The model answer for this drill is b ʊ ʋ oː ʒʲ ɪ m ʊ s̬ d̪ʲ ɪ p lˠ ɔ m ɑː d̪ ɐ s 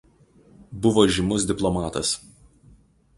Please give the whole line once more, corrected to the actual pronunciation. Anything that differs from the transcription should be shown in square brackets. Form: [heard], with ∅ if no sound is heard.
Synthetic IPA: b ʊ ʋ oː ʒʲ ɪ m ʊ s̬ d̪ʲ ɪ p lˠ ɔ m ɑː [t̪] ɐ s